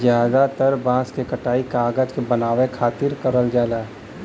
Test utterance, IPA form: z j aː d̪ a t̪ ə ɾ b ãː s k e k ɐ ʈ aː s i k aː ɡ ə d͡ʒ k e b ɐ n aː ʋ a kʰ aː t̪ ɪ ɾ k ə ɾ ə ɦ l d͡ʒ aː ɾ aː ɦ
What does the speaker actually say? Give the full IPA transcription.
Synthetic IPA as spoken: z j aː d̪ a t̪ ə ɾ b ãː s k e k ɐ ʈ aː i k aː ɡ ə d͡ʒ k e b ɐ n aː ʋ e kʰ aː t̪ ɪ ɾ k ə ɾ ə l d͡ʒ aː l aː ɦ